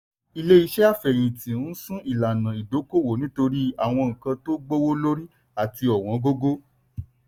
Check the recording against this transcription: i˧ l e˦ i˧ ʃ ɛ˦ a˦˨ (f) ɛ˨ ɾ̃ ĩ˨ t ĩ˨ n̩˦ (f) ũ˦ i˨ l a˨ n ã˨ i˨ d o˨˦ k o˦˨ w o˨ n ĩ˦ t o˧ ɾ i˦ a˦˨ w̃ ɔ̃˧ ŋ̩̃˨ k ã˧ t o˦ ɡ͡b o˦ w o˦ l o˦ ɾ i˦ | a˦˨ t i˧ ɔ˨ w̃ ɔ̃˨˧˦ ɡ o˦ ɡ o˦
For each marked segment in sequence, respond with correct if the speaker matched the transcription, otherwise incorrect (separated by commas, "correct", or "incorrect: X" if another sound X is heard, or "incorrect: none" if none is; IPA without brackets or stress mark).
correct, incorrect: s